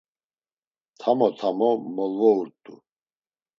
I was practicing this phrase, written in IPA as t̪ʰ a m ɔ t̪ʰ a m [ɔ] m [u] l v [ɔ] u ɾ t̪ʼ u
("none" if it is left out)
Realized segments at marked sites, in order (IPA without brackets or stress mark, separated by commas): ɔ, ɔ, ɔ